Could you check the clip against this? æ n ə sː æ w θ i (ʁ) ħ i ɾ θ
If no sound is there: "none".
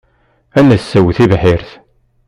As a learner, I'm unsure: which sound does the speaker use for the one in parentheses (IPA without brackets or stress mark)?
v